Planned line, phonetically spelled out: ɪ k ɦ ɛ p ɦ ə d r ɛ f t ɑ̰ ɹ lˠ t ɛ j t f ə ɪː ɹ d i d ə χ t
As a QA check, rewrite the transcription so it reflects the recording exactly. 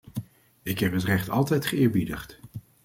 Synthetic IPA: ɪ k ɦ ɛ p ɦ ə t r ɛ χ t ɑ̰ lˠ t ɛ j t χ ə ɪː ɹ b i d ə χ t